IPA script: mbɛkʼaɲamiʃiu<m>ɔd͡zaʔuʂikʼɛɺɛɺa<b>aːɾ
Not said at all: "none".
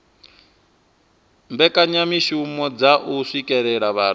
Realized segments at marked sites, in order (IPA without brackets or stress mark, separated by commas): m, β